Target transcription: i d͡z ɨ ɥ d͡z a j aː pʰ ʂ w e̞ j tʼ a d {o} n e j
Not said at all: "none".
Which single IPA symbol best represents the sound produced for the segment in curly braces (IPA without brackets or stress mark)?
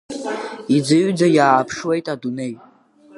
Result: u